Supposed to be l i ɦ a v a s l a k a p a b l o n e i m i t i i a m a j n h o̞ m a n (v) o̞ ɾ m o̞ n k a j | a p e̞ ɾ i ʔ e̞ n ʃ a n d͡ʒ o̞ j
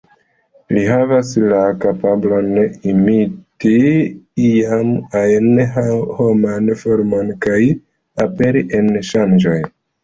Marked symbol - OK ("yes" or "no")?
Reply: no